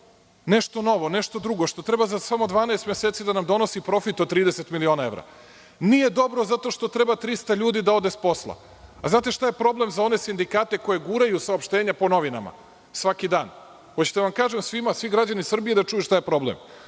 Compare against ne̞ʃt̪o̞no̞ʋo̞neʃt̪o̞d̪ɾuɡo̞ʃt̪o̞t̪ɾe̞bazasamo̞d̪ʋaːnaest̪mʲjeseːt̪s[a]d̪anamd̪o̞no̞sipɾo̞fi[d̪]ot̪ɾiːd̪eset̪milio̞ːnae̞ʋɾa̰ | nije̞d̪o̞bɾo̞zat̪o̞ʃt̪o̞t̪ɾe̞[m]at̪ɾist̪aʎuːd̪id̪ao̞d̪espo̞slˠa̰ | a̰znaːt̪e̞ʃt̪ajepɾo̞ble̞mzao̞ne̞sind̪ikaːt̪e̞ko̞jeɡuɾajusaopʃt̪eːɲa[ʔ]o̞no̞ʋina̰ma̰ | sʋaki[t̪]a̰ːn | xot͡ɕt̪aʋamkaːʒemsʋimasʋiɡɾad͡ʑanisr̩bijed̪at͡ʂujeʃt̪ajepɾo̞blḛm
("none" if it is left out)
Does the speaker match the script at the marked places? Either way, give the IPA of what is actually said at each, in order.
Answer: i, t̪, b, p, d̪

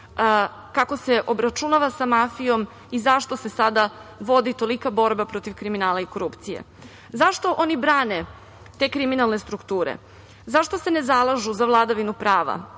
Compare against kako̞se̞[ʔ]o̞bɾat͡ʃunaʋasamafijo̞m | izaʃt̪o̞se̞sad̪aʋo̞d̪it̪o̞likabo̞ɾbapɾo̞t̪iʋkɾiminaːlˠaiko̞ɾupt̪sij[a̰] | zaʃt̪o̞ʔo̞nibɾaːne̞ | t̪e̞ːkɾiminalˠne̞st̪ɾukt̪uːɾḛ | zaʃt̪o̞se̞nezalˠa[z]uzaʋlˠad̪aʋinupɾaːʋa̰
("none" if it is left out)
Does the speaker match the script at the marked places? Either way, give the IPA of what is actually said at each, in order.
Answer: ʔ, ḛ, ʒ

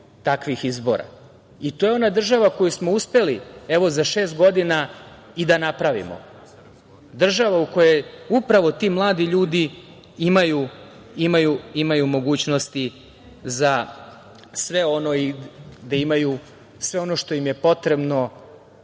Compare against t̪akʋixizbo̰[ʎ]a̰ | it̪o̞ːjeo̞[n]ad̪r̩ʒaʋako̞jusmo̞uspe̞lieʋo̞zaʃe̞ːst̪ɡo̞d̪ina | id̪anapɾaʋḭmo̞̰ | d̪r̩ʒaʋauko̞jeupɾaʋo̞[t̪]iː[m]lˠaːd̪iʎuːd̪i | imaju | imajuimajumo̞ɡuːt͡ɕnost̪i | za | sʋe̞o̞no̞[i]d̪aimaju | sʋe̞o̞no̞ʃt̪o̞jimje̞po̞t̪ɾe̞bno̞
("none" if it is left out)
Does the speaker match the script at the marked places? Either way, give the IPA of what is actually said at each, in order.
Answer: ɾ, n, t̪, m, i

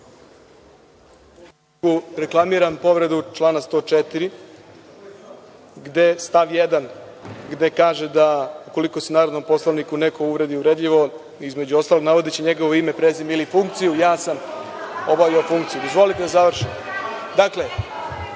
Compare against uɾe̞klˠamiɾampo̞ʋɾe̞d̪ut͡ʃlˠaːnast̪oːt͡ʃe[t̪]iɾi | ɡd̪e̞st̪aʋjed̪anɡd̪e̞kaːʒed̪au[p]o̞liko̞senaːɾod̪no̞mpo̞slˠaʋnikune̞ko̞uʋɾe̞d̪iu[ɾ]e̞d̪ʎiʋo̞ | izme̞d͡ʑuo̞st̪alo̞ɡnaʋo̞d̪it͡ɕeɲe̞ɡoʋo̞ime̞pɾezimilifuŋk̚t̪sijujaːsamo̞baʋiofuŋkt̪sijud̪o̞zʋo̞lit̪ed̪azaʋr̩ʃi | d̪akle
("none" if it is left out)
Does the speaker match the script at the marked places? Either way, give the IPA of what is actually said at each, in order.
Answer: t̪, k, ɾ

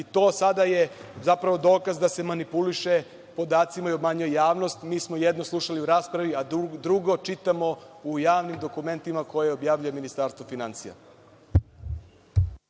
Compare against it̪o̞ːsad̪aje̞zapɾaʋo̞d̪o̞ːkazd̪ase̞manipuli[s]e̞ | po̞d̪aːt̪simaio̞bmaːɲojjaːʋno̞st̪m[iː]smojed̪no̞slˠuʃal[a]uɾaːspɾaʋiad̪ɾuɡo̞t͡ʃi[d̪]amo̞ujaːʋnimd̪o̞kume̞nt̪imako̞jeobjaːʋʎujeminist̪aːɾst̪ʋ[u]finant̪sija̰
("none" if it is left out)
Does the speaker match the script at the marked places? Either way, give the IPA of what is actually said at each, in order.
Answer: ʃ, iː, i, t̪, o

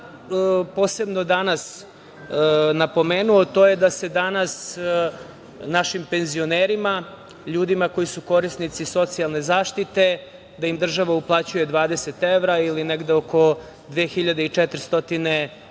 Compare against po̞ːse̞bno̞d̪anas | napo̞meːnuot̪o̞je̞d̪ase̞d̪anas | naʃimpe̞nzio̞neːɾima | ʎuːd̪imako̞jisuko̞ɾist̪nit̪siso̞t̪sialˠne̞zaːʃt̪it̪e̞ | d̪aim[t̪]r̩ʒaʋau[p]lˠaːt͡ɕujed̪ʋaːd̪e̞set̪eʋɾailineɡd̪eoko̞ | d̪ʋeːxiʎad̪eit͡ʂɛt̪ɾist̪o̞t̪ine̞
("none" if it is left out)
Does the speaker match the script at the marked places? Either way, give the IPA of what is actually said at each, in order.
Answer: d̪, p

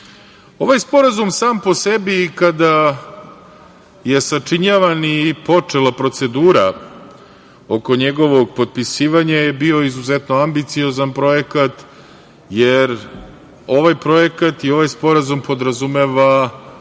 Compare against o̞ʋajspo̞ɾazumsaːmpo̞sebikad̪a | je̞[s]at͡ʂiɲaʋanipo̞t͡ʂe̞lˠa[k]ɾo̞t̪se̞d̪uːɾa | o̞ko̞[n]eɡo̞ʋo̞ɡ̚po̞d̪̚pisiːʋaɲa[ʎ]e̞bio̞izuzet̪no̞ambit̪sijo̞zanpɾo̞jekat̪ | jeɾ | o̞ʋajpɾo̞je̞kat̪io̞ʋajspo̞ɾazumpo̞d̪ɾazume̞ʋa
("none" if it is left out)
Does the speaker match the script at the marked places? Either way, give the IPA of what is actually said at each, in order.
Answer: s, p, ɲ, j

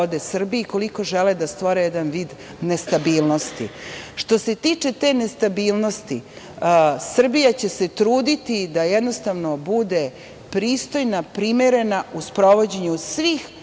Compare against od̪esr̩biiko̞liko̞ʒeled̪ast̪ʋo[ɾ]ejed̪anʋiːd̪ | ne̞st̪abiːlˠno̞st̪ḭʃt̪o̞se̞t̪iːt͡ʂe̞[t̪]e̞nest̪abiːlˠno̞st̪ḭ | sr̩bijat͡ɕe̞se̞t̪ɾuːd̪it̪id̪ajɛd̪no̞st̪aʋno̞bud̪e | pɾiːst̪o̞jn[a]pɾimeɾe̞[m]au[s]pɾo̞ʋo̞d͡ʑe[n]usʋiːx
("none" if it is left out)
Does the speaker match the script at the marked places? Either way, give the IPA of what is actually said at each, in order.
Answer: ɾ, t̪, a, n, s, ɲ

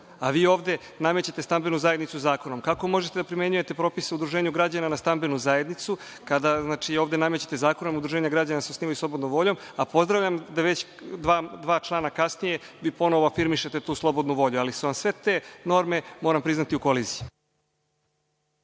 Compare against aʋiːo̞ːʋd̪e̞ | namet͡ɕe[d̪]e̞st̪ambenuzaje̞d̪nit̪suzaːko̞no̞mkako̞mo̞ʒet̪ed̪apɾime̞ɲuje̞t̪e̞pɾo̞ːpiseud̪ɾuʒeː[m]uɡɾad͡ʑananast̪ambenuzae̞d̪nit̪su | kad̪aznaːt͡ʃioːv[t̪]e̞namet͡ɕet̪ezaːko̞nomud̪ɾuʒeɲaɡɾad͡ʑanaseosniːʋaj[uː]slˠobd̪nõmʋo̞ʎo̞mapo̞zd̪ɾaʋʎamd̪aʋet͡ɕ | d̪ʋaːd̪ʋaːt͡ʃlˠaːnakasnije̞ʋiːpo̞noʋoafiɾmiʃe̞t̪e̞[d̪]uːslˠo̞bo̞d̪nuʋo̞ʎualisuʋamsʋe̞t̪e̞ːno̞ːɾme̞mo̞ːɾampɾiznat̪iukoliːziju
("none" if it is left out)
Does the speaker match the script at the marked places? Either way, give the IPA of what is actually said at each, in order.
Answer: t̪, ɲ, d̪, u, t̪

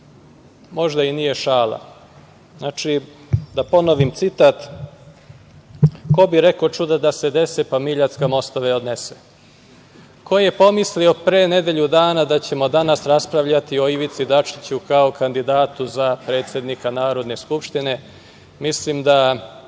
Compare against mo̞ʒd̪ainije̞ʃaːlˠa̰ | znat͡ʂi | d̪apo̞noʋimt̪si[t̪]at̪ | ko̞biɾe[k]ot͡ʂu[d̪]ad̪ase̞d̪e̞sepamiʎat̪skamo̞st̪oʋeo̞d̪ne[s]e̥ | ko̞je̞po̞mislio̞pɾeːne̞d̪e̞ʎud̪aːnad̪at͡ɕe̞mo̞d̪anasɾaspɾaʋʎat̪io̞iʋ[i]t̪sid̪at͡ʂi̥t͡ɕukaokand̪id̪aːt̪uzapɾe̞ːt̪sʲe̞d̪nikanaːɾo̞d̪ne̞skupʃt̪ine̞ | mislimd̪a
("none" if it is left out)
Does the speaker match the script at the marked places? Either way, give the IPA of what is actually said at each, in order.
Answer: t̪, k, d̪, s, i

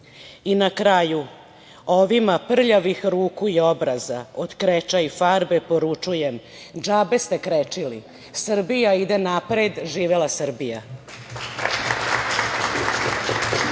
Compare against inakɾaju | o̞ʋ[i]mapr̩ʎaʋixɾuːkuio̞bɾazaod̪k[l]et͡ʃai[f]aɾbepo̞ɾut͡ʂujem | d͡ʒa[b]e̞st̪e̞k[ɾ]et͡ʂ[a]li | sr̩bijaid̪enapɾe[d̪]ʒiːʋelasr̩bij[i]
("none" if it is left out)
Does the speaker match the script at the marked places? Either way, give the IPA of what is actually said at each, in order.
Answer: i, ɾ, f, b, ɾ, i, d̪, a

